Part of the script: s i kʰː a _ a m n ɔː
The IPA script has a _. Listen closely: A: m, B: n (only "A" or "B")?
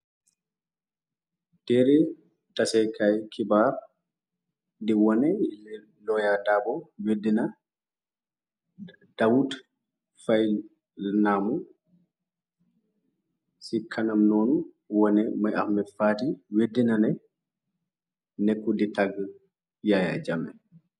B